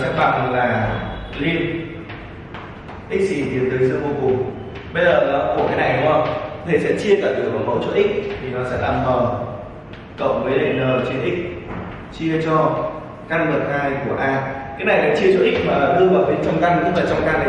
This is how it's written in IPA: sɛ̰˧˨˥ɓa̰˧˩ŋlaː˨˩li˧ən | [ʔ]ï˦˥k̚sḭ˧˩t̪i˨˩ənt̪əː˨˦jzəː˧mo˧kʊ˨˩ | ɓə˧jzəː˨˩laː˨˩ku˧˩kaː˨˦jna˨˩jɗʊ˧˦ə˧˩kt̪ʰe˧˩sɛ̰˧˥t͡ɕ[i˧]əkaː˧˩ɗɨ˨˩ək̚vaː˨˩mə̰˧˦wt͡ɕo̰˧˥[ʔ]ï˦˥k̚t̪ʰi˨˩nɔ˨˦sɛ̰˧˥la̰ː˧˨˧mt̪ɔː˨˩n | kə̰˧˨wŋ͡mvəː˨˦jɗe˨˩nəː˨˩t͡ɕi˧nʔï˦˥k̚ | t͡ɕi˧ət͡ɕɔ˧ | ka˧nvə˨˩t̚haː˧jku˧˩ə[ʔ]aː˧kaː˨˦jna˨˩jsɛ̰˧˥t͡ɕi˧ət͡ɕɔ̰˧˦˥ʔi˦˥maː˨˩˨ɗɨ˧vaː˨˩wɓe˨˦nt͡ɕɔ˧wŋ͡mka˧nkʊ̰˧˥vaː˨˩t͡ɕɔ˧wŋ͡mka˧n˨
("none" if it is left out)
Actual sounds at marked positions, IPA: ʔ, i˧, ʔ, ʔ

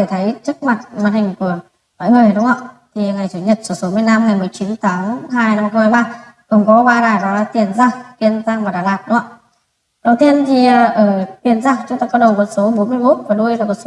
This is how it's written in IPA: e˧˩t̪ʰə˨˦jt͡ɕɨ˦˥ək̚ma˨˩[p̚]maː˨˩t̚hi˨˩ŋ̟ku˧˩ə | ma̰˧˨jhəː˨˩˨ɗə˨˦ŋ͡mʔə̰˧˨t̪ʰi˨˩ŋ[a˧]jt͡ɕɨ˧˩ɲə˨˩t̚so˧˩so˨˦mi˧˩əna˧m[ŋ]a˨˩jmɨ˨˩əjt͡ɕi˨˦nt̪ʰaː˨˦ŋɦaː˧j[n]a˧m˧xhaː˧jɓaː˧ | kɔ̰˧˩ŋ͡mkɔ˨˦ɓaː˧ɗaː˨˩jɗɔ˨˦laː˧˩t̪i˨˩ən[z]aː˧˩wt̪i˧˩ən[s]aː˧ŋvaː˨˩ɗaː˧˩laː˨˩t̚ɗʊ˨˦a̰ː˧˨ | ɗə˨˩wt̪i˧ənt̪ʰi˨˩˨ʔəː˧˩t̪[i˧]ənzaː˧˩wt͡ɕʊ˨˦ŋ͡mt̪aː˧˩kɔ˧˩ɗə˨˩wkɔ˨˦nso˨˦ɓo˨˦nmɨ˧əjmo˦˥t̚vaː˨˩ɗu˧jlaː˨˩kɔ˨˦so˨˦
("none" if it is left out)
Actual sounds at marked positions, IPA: t̚, a˨˩, ŋ, n, z, z, i˨˩

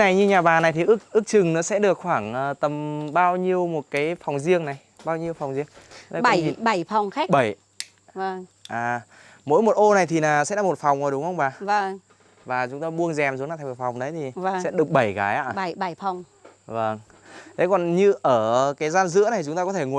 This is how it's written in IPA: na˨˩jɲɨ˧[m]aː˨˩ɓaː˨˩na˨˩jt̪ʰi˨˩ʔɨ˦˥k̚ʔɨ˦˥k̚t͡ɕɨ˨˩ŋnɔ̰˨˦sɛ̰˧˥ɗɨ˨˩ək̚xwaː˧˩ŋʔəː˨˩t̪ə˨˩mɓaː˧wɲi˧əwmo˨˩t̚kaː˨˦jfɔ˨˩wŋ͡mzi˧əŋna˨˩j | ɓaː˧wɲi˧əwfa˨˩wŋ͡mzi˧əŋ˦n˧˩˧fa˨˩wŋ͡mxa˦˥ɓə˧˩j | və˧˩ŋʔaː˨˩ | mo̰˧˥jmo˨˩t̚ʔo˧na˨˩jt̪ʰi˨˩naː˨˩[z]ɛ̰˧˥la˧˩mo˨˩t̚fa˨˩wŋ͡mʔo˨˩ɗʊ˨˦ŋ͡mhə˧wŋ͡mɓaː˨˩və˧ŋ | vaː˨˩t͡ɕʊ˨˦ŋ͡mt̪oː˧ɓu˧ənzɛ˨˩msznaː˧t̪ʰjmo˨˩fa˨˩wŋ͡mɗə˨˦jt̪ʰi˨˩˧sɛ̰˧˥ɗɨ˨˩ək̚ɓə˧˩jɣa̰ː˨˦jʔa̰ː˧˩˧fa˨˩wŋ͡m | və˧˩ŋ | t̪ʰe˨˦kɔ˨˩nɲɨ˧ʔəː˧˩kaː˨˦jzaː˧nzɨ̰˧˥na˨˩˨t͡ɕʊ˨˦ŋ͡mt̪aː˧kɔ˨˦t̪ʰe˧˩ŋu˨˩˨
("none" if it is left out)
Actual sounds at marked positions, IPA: ɲ, s

